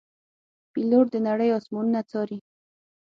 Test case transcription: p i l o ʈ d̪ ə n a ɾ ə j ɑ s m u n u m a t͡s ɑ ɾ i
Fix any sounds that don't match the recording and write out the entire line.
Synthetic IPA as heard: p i l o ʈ d̪ ə n a ɽ ə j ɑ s m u n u n a t͡s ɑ ɾ i